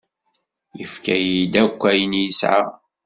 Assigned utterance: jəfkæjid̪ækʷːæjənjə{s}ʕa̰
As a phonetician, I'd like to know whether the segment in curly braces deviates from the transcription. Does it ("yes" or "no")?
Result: no